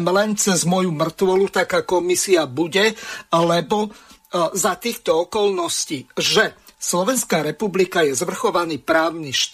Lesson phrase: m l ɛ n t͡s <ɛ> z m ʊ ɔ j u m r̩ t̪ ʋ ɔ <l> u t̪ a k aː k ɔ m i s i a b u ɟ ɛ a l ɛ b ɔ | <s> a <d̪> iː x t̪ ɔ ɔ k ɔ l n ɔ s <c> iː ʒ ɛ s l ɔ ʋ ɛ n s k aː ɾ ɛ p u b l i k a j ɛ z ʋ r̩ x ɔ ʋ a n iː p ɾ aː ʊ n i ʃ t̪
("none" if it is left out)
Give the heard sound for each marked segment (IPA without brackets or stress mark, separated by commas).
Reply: ɛ, l, z, t̪, c